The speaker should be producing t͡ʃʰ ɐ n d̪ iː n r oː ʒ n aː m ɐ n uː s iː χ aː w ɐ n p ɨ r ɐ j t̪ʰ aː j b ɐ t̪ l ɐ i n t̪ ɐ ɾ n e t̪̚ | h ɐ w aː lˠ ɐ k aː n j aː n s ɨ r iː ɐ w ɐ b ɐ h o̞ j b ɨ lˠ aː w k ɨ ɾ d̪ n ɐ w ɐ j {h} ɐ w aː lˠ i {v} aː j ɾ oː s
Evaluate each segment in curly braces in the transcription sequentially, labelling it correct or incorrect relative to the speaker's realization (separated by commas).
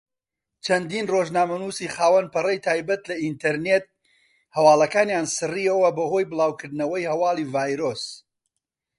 correct, correct